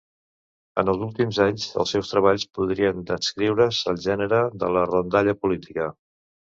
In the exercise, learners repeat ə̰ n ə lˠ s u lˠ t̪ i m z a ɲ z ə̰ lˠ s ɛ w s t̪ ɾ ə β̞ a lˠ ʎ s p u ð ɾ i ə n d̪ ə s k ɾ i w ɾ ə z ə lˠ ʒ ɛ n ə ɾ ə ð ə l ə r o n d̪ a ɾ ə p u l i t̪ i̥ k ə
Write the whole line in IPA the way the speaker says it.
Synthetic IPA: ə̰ n ə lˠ z u lˠ t̪ i m z a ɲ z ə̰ lˠ s ɛ w s t̪ ɾ ə β̞ a ʎ s p u ð ɾ i ə n d̪ ə s k ɾ i w ɾ ə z ə lˠ ʒ ɛ n ə ɾ ə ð ə l ə r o n d̪ a ʎ ə p u l i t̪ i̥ k ə